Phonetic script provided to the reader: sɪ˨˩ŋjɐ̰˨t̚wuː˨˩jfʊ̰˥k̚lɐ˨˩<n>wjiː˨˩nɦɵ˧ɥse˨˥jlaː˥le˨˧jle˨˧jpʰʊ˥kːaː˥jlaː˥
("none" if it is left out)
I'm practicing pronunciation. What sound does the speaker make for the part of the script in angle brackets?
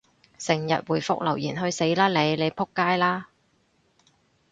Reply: none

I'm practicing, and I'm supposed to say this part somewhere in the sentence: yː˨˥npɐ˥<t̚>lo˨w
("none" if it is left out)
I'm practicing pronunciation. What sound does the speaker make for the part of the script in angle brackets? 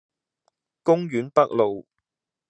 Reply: k̚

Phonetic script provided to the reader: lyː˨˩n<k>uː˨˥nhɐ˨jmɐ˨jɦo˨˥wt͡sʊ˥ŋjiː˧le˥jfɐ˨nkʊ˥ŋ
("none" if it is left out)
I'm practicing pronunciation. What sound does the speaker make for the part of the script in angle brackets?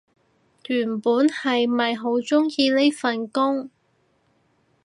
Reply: p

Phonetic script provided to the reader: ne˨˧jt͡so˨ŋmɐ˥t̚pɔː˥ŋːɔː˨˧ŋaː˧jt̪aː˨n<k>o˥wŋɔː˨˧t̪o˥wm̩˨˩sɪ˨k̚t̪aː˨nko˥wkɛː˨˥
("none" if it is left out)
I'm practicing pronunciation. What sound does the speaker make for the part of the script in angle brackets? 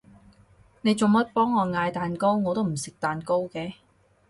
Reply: k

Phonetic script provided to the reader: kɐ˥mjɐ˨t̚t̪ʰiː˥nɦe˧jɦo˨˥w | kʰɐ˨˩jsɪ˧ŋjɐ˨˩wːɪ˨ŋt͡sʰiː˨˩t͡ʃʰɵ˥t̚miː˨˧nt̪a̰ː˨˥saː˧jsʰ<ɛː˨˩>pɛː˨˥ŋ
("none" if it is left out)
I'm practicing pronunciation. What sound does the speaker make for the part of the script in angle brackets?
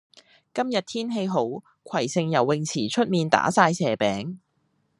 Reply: ɛː˨˩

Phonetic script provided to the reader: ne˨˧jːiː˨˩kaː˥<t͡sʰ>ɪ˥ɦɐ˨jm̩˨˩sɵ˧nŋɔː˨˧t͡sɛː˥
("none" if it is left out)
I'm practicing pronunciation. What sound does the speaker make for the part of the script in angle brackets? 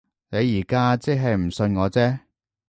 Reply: t͡s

